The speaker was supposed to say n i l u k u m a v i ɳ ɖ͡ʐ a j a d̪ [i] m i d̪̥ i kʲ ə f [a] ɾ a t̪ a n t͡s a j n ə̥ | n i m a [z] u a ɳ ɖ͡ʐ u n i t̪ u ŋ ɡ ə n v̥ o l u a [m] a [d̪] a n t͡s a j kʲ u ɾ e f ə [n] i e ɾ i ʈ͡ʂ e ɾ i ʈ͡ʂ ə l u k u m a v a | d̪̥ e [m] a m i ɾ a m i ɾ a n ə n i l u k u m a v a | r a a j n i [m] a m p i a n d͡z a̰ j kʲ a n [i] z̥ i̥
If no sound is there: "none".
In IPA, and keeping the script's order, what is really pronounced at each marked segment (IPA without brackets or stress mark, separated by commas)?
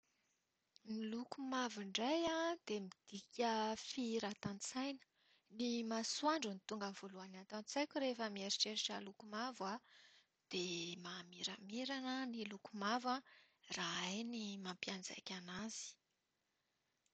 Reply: e, i, s, n, t̪, m, m, m, a